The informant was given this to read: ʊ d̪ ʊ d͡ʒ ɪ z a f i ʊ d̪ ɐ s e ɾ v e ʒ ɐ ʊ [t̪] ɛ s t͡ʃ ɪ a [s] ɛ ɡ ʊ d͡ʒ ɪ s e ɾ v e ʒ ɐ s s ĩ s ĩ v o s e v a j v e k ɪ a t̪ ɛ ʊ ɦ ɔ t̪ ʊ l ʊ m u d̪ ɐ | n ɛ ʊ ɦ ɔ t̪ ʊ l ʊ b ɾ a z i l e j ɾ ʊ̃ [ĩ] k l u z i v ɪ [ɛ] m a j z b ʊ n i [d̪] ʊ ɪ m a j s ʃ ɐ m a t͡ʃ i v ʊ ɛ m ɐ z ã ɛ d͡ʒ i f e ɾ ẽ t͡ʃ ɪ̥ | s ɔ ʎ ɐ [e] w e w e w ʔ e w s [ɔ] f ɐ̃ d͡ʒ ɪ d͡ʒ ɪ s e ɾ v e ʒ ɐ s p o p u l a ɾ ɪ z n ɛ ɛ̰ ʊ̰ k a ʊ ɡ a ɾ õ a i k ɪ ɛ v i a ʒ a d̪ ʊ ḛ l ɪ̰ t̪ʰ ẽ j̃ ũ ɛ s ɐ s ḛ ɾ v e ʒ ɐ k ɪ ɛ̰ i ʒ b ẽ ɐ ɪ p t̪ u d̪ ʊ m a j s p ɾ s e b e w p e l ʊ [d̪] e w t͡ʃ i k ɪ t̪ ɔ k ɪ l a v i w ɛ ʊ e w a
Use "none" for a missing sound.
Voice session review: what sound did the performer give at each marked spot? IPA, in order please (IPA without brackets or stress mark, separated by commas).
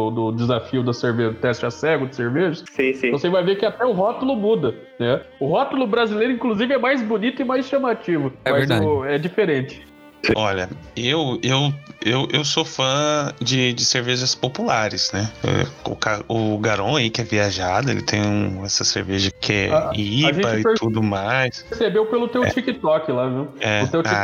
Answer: t̪, s, ĩ, ɛ, t̪, e, o, t̪